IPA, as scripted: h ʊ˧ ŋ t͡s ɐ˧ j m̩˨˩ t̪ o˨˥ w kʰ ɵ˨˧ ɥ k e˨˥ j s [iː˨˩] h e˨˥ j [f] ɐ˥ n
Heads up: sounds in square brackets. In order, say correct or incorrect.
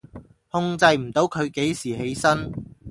correct, incorrect

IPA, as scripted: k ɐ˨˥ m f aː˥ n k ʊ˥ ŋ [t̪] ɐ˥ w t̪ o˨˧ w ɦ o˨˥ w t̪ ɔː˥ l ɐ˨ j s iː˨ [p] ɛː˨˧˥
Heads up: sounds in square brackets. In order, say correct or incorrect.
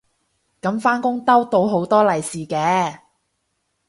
correct, incorrect

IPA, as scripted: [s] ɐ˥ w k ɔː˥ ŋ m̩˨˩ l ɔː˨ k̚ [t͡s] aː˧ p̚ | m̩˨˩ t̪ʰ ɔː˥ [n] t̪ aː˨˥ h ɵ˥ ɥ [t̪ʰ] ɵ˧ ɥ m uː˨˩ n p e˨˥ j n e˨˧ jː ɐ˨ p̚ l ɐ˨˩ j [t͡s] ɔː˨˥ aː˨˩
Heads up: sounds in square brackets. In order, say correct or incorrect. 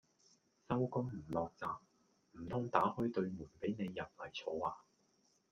correct, correct, incorrect, incorrect, incorrect

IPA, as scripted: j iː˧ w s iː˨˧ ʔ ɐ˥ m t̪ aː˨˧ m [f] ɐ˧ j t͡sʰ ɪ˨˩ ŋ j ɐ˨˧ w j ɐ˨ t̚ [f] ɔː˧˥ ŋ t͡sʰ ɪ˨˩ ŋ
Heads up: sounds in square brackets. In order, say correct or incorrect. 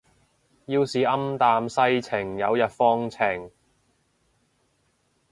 incorrect, correct

